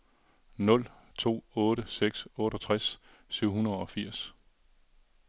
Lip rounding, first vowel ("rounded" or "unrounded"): rounded